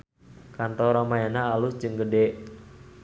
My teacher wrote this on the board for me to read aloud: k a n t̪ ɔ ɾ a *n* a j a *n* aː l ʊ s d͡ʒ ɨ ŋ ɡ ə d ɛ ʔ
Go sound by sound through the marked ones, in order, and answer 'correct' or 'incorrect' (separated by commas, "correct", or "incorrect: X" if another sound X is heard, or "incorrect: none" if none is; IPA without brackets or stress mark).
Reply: incorrect: m, correct